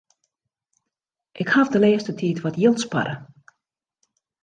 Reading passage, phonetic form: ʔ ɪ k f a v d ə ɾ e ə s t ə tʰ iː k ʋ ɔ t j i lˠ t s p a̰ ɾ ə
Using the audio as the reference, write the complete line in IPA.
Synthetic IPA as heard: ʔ ɪ k h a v d ə l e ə s t ə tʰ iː t ʋ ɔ t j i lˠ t s p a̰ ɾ ə